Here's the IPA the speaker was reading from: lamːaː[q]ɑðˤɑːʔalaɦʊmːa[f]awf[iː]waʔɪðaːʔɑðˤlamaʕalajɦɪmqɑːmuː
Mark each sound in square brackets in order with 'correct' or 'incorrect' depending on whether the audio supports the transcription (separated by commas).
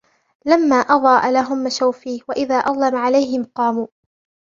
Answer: incorrect, incorrect, correct